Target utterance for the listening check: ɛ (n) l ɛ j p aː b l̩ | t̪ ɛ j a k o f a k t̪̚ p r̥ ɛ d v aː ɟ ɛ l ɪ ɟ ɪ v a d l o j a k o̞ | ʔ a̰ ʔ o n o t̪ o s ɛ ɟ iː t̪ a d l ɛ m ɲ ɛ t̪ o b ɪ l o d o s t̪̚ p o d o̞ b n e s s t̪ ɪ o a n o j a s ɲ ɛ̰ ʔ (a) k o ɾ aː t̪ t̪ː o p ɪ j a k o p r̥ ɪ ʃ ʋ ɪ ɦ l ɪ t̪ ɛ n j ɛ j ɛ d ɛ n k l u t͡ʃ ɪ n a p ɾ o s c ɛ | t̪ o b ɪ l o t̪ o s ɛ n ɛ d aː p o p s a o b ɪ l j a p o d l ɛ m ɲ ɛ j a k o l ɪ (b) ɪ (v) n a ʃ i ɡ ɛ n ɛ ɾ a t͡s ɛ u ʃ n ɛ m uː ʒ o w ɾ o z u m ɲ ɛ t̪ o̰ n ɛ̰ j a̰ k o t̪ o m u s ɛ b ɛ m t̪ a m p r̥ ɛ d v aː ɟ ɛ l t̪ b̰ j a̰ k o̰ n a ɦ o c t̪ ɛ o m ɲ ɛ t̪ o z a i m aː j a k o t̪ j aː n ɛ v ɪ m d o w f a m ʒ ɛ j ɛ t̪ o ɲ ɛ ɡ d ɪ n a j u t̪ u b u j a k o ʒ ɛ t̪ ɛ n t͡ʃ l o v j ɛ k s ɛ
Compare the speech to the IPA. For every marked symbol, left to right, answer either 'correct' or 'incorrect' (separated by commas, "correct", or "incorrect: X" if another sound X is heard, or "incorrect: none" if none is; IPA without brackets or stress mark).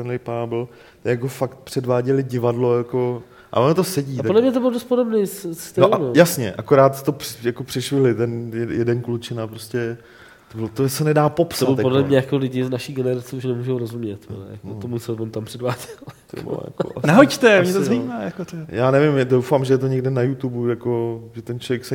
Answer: correct, correct, incorrect: ɟ, incorrect: z